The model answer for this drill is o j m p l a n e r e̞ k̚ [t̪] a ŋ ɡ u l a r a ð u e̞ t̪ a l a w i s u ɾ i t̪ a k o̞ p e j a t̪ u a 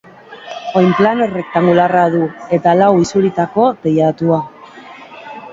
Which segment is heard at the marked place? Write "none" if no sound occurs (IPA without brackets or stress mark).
t̪